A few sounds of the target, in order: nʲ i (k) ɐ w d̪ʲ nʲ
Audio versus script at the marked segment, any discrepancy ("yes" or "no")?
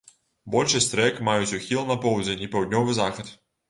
yes